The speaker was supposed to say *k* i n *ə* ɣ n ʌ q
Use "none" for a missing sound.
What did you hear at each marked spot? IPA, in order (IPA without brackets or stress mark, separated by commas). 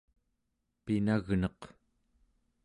p, a